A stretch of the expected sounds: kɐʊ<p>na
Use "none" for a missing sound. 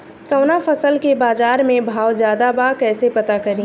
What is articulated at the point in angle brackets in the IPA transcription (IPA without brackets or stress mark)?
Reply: none